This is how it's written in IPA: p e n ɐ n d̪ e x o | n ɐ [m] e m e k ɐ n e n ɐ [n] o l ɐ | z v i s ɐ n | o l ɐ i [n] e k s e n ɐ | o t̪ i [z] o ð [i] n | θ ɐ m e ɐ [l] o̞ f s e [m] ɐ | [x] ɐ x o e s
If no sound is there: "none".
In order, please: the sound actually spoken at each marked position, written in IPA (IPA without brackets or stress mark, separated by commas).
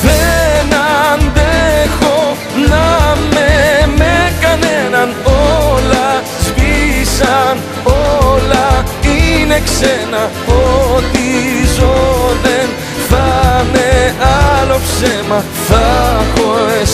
m, n, n, z, e, l, m, θ